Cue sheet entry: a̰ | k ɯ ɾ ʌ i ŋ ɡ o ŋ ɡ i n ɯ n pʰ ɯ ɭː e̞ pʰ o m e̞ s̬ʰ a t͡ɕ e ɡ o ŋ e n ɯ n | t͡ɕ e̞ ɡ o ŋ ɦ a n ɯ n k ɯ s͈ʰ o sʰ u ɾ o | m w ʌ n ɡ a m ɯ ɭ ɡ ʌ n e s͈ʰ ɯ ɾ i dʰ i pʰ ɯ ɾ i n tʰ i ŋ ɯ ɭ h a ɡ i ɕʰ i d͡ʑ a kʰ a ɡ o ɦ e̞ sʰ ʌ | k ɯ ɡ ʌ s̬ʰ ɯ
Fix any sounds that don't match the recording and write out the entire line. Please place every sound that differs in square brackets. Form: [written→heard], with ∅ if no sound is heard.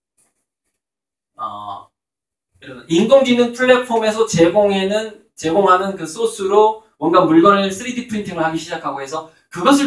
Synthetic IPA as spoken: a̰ | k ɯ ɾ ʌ i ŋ ɡ o ŋ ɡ i n ɯ n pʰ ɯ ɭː e̞ pʰ o m e̞ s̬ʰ [a→ʌ] t͡ɕ e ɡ o ŋ e n ɯ n | t͡ɕ e̞ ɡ o ŋ ɦ a n ɯ n k ɯ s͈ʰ o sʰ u ɾ o | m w ʌ n ɡ a m [ɯ→u] ɭ ɡ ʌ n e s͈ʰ ɯ ɾ i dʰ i pʰ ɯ ɾ i n tʰ i ŋ ɯ ɭ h a ɡ i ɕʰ i d͡ʑ a kʰ a ɡ o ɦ e̞ sʰ ʌ | k ɯ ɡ ʌ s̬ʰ ɯ